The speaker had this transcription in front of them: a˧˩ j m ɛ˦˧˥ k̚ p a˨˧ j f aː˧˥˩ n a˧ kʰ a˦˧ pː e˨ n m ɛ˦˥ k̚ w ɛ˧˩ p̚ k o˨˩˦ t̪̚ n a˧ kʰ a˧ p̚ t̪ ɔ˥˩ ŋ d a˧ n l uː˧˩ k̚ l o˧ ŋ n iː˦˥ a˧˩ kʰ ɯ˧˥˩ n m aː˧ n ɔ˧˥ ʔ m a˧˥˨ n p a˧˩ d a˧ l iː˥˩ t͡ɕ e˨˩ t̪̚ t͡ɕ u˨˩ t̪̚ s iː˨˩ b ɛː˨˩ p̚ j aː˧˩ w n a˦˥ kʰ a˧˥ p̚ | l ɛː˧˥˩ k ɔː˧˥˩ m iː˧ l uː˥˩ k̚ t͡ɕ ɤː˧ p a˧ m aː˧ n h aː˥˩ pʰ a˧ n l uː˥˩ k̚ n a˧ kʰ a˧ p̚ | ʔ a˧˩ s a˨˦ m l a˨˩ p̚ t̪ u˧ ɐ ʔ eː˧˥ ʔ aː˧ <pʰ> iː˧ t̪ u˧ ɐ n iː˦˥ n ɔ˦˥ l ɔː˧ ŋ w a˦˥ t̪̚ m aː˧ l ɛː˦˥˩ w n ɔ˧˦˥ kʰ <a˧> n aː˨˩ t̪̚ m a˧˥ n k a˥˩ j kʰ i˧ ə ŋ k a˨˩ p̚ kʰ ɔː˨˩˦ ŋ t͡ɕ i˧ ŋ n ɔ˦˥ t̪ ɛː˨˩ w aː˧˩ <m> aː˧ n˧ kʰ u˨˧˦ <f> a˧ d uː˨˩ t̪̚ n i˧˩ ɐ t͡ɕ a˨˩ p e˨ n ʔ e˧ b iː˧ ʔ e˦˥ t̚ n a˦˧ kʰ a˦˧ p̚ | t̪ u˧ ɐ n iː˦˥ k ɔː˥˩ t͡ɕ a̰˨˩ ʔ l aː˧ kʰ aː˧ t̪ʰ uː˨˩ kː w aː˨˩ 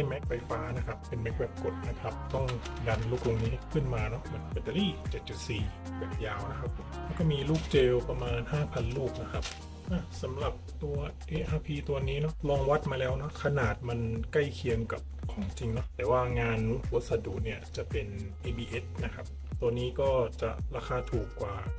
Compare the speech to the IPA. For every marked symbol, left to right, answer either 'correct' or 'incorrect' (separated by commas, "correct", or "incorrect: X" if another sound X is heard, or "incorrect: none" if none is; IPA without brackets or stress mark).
correct, correct, incorrect: ŋ, incorrect: s